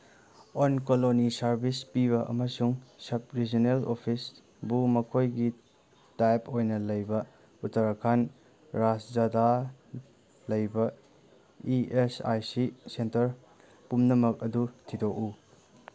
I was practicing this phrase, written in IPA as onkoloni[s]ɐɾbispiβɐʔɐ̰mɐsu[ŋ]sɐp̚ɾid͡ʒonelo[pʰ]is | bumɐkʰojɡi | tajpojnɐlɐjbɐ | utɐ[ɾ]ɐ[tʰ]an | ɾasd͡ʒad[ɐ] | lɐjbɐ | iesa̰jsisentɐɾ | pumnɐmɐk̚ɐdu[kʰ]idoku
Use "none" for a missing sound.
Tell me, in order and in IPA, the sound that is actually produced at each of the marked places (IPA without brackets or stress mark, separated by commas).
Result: s, ŋ, pʰ, ɾ, kʰ, a, tʰ